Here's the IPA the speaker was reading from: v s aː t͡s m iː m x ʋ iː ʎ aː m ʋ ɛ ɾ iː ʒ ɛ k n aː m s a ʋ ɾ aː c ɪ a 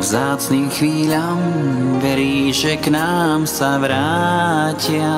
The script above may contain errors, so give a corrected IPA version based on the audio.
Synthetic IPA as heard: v z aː t͡s n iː m x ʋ iː ʎ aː m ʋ ɛ ɾ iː ʒ ɛ k n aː m s a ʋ ɾ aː c ɪ a